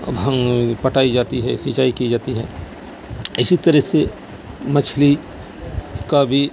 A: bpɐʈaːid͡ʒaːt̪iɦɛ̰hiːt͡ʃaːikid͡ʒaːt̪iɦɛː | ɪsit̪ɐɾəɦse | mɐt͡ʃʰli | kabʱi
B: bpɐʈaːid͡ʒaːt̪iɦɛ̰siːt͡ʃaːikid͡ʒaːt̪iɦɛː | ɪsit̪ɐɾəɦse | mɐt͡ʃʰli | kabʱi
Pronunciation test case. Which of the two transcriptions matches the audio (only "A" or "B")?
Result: B